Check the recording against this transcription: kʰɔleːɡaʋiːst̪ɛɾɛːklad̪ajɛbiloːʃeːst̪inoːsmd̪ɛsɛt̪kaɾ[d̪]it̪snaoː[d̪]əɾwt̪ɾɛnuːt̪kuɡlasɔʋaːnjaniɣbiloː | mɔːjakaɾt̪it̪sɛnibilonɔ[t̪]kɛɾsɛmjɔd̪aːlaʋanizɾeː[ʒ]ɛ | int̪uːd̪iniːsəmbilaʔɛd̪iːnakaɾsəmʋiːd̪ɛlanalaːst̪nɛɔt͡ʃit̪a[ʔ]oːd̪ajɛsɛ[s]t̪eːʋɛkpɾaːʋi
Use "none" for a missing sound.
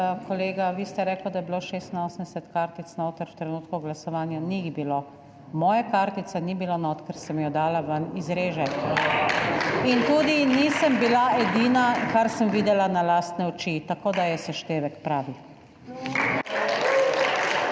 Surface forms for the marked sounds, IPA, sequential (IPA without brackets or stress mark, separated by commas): t̪, t̪, t̪, ʒ, k, ʃ